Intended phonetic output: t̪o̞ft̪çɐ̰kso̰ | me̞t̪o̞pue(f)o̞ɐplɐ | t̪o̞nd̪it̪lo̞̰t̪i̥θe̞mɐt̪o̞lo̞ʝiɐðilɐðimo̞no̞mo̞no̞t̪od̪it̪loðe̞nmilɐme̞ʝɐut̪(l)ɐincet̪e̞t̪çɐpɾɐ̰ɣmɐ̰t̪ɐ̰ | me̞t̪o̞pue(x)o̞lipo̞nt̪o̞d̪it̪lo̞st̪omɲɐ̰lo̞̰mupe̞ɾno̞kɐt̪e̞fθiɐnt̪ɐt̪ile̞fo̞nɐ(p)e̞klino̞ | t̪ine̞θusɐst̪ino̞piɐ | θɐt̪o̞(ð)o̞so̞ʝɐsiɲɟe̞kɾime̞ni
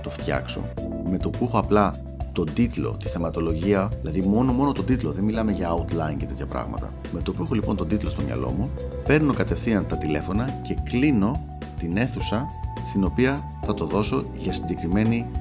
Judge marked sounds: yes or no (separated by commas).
no, yes, yes, no, yes